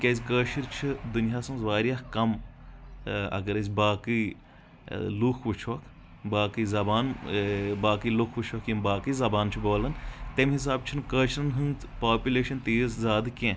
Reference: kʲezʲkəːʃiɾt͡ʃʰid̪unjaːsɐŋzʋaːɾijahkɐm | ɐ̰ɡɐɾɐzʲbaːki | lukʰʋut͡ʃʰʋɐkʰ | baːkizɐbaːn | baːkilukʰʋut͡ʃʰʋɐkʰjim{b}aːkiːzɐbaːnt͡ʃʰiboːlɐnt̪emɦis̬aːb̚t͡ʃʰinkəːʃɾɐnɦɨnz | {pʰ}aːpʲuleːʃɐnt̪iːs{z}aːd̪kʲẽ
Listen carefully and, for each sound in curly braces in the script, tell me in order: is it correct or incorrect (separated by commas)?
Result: correct, incorrect, correct